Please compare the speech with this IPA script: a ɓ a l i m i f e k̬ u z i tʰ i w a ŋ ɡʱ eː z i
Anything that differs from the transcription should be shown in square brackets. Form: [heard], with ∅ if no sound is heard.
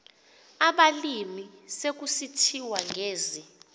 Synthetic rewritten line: a ɓ a l i m i [s] e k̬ u [s] i tʰ i w a ŋ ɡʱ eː z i